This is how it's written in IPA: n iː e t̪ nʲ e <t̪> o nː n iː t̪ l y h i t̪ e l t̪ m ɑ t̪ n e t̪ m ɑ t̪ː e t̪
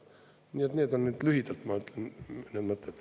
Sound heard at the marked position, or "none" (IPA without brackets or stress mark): t̪